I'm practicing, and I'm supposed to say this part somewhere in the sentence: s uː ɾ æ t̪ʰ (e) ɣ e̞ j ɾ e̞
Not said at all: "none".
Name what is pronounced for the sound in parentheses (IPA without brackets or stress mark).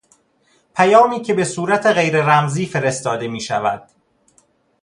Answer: e